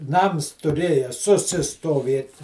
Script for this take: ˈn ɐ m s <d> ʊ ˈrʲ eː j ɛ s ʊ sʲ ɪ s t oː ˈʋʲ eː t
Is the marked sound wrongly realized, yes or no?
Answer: yes